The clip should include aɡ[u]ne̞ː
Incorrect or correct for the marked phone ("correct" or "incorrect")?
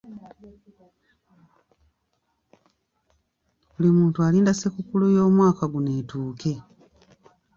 correct